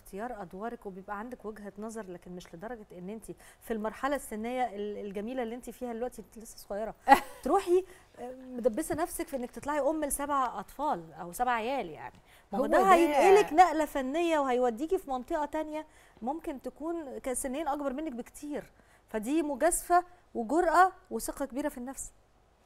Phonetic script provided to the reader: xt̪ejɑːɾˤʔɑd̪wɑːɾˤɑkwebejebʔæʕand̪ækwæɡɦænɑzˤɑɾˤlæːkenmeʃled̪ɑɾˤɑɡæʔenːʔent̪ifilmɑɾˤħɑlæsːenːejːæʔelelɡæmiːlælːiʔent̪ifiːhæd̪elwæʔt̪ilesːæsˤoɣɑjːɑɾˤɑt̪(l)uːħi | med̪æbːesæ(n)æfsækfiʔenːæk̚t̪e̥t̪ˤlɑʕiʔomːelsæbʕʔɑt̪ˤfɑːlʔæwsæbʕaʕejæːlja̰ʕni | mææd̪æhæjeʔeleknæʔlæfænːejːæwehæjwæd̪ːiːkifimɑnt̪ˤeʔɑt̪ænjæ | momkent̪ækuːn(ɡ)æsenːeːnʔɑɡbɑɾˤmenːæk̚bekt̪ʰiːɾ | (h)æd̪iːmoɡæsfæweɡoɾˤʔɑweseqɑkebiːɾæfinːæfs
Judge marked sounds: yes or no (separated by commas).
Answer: no, yes, no, no